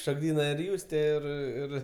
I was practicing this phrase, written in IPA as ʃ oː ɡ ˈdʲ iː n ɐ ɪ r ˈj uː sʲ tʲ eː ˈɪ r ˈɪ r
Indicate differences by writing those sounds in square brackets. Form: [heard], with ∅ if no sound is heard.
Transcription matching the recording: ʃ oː ɡ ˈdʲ iː n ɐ ɪ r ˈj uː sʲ tʲ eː ˈɪ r ˈɪ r